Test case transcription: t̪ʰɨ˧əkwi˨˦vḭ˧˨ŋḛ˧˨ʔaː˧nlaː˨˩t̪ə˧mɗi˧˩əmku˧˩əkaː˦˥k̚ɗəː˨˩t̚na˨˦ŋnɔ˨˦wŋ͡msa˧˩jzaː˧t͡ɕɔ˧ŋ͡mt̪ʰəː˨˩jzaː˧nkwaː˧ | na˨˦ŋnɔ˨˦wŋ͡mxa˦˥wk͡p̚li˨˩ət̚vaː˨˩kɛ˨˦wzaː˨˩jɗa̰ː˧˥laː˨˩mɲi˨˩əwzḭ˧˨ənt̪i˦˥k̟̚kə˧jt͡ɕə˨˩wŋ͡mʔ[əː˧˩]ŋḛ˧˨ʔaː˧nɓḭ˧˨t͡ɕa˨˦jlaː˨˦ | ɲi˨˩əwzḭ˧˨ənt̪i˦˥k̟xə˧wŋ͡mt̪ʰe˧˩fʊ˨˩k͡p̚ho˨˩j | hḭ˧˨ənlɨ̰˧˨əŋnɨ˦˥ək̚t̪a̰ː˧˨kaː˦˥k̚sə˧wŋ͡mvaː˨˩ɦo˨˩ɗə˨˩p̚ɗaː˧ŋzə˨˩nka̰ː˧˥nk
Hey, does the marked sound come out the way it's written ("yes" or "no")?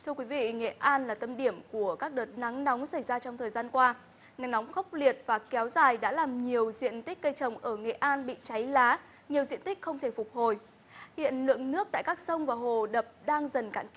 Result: yes